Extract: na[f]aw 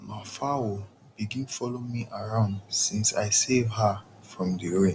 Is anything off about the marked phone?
no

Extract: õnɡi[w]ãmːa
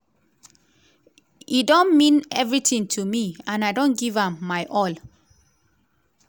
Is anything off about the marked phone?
yes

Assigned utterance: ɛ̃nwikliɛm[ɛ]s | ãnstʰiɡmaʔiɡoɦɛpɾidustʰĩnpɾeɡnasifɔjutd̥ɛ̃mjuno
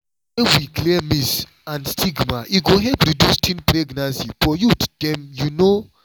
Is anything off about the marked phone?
yes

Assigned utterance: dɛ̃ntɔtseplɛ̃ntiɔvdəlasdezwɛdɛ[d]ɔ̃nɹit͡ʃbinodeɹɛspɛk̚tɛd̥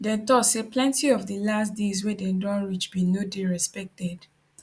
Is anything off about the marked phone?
no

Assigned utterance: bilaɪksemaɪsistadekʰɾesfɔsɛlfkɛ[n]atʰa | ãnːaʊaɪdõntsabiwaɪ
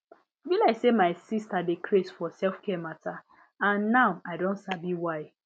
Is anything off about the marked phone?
yes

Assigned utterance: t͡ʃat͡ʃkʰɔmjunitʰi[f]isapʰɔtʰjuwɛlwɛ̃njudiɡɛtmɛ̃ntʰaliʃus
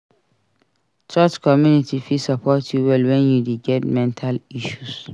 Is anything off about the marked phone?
no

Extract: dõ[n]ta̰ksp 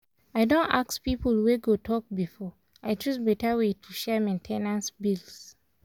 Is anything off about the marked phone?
no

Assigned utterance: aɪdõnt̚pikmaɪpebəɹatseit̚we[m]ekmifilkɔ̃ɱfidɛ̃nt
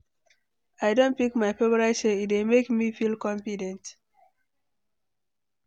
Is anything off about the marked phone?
no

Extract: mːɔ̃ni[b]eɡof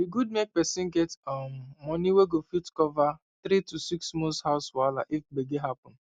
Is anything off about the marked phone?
yes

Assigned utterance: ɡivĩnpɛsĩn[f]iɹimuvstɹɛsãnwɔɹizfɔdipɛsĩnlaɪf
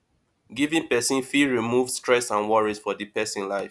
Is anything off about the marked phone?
no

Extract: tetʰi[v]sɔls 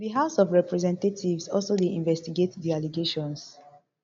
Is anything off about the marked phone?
no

